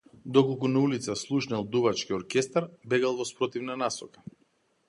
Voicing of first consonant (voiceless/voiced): voiced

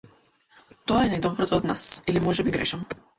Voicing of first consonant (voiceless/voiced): voiceless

